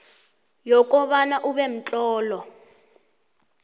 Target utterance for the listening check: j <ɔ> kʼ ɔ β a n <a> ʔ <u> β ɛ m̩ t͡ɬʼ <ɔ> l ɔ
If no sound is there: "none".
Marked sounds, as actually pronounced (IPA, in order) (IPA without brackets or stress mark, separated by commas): ɔ, a, u, ɔː